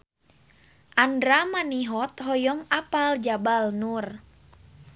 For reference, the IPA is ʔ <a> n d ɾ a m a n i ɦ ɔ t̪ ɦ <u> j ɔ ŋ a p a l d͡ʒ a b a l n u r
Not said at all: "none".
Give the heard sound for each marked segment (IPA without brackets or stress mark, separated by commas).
a, ɔ